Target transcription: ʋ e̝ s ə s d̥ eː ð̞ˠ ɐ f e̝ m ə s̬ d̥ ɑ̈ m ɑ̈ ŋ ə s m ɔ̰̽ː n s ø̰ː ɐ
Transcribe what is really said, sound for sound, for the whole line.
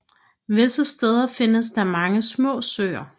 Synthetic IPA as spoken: ʋ e̝ s ə s d̥ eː ð̞ˠ ɐ f e̝ n ə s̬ d̥ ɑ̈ m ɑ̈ ŋ ə s m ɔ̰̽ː s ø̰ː ɐ